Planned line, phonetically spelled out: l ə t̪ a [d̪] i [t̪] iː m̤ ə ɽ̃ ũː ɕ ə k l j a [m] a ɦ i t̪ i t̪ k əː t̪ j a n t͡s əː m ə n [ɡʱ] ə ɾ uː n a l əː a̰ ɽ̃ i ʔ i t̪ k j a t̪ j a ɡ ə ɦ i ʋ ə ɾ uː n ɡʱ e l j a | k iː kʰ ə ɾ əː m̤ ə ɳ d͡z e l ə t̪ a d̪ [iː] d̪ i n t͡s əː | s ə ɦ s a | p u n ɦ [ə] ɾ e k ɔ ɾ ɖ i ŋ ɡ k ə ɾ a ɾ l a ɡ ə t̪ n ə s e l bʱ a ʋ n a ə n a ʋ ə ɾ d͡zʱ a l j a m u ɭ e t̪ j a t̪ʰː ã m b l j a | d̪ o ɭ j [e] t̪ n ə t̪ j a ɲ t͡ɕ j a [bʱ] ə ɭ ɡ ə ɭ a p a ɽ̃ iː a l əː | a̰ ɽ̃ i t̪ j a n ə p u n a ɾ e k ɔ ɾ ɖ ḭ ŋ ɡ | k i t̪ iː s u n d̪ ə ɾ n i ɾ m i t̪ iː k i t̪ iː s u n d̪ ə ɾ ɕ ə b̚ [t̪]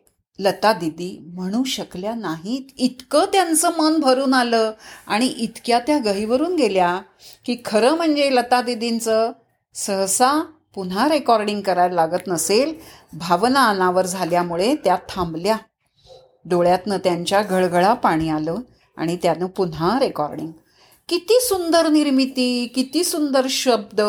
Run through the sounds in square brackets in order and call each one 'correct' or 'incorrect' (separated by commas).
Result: correct, incorrect, incorrect, incorrect, incorrect, incorrect, incorrect, incorrect, incorrect